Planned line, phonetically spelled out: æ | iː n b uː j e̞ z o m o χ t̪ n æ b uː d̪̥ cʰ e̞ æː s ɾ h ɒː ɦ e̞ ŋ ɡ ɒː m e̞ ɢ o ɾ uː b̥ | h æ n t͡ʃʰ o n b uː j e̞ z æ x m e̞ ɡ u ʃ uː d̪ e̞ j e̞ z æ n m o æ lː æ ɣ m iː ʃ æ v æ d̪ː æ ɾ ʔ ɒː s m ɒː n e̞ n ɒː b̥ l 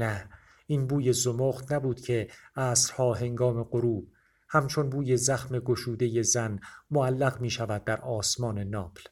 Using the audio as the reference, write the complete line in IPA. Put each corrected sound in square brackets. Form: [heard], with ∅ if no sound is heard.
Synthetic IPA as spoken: æ | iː n b uː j e̞ z o m o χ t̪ n æ b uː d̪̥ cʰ e̞ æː s ɾ h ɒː ɦ e̞ ŋ ɡ ɒː m e̞ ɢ o ɾ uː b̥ | h æ [m] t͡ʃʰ o n b uː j e̞ z æ x m e̞ ɡ [o] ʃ uː d̪ e̞ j e̞ z æ n m o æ lː æ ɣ m iː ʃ æ v æ d̪ː æ ɾ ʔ ɒː s m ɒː n e̞ n ɒː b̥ l